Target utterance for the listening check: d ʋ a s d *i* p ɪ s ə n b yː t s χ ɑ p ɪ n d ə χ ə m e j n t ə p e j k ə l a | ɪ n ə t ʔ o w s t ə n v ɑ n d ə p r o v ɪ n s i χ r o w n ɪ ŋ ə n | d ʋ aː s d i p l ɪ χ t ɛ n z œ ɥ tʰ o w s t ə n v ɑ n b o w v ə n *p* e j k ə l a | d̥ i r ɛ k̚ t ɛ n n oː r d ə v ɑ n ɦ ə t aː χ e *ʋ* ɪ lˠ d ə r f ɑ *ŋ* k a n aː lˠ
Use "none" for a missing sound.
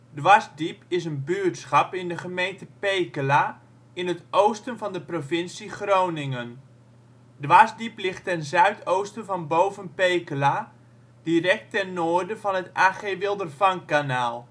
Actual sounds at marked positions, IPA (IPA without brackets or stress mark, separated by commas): i, p, ʋ, ŋ